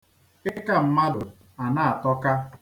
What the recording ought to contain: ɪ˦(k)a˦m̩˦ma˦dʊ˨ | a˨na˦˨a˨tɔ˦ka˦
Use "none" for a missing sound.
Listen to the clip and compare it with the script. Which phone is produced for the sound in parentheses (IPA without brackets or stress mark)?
k